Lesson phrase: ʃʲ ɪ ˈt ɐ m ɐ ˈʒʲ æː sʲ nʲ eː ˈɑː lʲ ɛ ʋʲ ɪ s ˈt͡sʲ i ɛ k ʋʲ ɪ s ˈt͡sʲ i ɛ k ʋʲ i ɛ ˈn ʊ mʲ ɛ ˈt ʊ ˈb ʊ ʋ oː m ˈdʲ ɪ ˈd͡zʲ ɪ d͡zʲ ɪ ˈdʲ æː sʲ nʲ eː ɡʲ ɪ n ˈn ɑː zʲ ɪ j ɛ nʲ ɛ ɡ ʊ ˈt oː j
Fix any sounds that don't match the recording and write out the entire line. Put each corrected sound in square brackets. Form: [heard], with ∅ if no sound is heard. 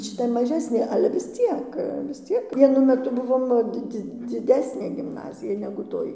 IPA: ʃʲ ɪ ˈt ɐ m ɐ ˈʒʲ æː sʲ nʲ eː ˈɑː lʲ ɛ ʋʲ ɪ s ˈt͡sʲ i ɛ k ʋʲ ɪ s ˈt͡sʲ i ɛ k ʋʲ i ɛ ˈn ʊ mʲ ɛ ˈt ʊ ˈb ʊ ʋ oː m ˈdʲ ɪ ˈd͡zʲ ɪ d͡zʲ ɪ ˈdʲ æː sʲ nʲ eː ɡʲ ɪ [m] ˈn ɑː zʲ ɪ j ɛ nʲ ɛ ɡ ʊ ˈt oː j